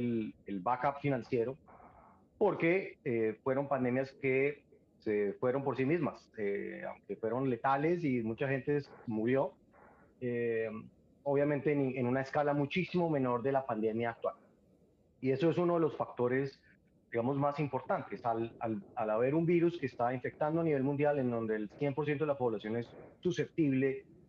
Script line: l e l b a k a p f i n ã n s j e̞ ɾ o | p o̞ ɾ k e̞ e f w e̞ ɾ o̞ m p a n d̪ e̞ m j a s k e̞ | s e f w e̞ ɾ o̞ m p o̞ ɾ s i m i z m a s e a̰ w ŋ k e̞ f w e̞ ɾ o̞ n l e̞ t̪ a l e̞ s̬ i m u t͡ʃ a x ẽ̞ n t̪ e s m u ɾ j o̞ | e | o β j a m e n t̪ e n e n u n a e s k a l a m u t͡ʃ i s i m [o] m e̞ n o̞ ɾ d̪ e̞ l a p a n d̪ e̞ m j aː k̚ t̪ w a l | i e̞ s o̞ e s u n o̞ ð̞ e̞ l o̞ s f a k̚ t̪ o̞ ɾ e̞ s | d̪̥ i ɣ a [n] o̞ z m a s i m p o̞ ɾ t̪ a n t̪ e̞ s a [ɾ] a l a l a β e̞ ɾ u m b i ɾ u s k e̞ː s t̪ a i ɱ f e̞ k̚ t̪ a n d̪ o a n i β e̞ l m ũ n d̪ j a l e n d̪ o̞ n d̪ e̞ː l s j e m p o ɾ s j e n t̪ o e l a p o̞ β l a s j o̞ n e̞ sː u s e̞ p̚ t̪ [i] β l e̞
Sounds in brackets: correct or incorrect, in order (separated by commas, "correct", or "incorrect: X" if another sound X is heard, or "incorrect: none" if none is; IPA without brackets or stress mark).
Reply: correct, incorrect: m, incorrect: l, correct